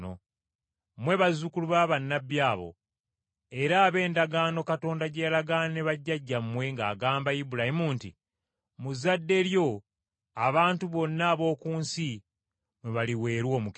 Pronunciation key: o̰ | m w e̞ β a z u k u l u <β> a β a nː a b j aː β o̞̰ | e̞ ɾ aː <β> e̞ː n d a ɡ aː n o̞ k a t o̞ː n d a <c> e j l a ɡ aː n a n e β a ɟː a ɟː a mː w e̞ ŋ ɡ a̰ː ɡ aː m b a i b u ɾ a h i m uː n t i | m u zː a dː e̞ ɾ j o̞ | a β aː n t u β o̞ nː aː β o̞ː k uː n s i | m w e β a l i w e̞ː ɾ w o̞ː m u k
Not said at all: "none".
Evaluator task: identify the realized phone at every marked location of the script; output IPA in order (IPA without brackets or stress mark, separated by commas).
β, β, ɟ